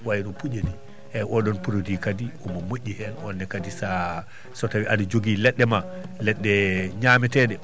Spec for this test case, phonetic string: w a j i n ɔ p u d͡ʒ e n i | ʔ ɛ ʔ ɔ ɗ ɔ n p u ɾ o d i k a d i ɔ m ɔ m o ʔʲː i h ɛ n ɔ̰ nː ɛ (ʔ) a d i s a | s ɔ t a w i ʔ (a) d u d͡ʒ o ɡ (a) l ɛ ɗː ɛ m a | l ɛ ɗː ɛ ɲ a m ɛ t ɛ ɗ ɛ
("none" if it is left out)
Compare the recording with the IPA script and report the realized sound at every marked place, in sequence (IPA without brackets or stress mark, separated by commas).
k, a, i